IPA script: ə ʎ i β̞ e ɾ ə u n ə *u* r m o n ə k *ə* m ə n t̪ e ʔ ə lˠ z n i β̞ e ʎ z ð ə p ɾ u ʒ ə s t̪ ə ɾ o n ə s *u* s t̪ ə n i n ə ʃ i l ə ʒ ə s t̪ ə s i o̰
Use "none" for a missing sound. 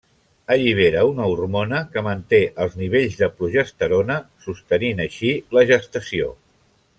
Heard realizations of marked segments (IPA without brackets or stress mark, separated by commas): u, ə, u